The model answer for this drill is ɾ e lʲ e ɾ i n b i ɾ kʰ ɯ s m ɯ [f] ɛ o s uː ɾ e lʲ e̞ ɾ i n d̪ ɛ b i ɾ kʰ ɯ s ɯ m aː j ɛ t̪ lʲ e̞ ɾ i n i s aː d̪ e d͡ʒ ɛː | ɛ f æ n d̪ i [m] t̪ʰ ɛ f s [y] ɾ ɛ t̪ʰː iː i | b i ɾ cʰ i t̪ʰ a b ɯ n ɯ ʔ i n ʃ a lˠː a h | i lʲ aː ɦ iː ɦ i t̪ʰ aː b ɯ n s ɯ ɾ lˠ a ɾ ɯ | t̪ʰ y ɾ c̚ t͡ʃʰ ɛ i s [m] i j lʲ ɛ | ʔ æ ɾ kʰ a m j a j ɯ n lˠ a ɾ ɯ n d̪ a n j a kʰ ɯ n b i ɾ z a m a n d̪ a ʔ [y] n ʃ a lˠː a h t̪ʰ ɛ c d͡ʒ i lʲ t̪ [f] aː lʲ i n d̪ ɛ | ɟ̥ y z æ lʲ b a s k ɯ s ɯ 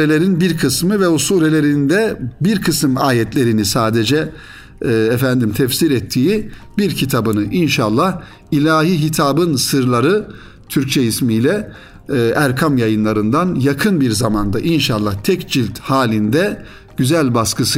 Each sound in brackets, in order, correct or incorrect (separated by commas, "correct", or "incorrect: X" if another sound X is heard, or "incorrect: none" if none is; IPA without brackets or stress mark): incorrect: v, correct, incorrect: i, correct, incorrect: i, incorrect: h